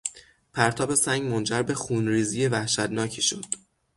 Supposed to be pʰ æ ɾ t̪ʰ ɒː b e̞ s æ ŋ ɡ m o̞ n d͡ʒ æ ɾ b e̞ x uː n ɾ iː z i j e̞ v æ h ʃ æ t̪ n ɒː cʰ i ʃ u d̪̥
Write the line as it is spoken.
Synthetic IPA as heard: pʰ æ ɾ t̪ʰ ɒː b e̞ s æ ŋ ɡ m o̞ n d͡ʒ æ ɾ b e̞ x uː n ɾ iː z i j e̞ v æ h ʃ æ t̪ n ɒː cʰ i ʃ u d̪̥